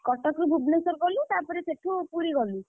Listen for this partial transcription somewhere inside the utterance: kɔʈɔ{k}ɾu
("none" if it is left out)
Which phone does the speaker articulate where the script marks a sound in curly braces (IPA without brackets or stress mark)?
k